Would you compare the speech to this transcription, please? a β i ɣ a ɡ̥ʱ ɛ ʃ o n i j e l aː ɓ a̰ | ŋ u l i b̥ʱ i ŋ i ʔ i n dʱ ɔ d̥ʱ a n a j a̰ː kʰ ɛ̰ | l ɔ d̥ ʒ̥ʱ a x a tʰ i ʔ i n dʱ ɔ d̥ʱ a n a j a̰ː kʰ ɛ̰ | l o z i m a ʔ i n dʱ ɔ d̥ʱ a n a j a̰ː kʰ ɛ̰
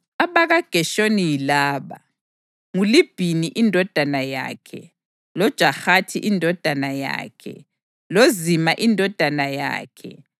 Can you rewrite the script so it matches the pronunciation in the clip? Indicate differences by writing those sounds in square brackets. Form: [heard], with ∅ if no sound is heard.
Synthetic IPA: a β [a] ɣ a ɡ̥ʱ ɛ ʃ o n i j [i] l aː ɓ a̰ | ŋ u l i b̥ʱ i [n] i ʔ i n dʱ ɔ d̥ʱ a n a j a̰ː kʰ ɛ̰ | l ɔ d̥ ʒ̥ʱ a x a tʰ i ʔ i n dʱ ɔ d̥ʱ a n a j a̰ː kʰ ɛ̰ | l o z i m a ʔ i n dʱ ɔ d̥ʱ a n a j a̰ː kʰ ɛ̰